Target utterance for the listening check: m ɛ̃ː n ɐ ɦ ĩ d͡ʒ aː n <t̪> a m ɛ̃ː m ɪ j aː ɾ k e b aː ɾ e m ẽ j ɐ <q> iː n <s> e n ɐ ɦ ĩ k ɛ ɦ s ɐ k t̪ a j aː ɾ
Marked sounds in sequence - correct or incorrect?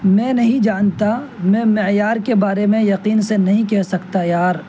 correct, correct, correct

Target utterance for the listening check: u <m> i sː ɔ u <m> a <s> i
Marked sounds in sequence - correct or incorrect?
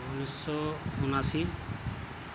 incorrect: n, incorrect: n, correct

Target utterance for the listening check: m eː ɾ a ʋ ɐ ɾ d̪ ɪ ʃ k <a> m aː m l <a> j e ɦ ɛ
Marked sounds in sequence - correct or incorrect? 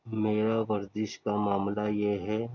correct, correct

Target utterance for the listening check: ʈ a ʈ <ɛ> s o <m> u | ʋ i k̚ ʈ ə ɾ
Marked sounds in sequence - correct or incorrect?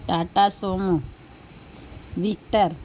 incorrect: a, correct

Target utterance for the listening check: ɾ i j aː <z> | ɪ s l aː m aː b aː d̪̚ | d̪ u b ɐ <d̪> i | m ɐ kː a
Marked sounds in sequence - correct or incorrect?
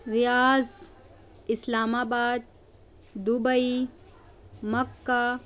correct, incorrect: none

